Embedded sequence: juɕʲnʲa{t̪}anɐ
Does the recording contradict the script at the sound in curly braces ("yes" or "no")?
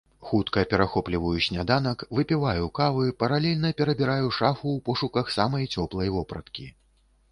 yes